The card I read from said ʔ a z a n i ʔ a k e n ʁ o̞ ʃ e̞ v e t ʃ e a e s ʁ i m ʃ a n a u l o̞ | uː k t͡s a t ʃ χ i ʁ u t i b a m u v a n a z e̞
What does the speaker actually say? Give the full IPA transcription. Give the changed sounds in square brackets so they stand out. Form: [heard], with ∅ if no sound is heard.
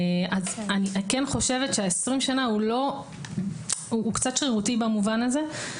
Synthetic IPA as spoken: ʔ a z a n i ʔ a k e n [χ] o̞ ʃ e̞ v e t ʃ e a e s ʁ i m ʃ a n a u l o̞ | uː k t͡s a t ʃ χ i ʁ u t i b a m u v a n a z e̞